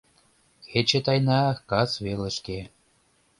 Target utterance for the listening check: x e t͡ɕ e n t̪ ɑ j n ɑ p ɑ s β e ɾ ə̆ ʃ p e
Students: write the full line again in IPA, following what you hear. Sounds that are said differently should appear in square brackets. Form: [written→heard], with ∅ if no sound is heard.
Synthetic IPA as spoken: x e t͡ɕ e [n→∅] t̪ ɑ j n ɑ [p→k] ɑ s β e [ɾ→l] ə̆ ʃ [p→k] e